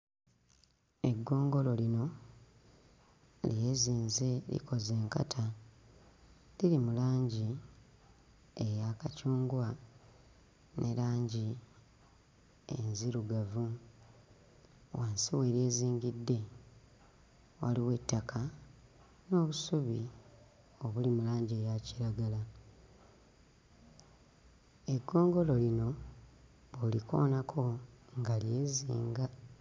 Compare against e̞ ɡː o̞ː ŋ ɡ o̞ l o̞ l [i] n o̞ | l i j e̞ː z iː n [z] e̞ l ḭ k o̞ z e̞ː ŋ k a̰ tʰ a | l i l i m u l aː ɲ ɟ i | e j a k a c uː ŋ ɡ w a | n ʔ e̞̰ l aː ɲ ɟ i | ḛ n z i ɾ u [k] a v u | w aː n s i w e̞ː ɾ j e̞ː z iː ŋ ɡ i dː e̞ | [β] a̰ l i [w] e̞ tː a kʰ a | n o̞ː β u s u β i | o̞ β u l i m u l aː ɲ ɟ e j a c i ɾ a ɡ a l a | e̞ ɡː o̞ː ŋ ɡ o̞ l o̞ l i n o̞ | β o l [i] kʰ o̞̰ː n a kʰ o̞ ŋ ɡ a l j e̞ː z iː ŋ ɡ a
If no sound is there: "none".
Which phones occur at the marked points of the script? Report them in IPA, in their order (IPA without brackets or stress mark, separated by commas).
i, z, ɡ, w, w, i